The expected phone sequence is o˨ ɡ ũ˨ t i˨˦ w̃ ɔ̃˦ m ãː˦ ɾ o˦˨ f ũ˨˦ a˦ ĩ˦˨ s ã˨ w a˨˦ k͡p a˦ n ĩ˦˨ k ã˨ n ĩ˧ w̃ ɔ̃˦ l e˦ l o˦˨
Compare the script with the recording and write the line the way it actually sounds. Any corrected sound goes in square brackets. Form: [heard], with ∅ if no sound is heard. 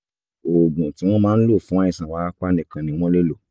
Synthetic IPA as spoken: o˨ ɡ ũ˨ t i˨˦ w̃ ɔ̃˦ m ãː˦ [l] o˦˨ f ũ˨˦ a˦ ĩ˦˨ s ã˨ w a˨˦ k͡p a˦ n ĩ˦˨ k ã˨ n ĩ˧ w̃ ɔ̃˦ l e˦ l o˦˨